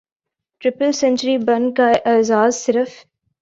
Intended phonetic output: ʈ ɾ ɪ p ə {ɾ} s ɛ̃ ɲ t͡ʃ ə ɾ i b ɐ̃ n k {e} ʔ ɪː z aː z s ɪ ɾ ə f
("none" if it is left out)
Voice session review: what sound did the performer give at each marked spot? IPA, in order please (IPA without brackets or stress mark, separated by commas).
l, a